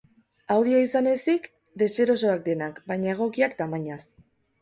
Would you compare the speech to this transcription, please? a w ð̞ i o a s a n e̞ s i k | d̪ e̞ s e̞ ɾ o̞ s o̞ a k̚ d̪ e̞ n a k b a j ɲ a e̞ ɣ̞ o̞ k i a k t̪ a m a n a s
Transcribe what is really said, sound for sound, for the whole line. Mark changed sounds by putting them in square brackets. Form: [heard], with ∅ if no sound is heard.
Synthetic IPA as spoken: a w ð̞ i o [i] s a n e̞ s i k | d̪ e̞ s e̞ ɾ o̞ s o̞ a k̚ d̪ e̞ n a k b a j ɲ a e̞ ɣ̞ o̞ k i a k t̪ a m a [ɲ] a s